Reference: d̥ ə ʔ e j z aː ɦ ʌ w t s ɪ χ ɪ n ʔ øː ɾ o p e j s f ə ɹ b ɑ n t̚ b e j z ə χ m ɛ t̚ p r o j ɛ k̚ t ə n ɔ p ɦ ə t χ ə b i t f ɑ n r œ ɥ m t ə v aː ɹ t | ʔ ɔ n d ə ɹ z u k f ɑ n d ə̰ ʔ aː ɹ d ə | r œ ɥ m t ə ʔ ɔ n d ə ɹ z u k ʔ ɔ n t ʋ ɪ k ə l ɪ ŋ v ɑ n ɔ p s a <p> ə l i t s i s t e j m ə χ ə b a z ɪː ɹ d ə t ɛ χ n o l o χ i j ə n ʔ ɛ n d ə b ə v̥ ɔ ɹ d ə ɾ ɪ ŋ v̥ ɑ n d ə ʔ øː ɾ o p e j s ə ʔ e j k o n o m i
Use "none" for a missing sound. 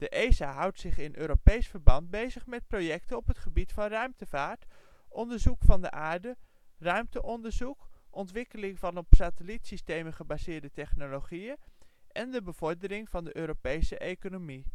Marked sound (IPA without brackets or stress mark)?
t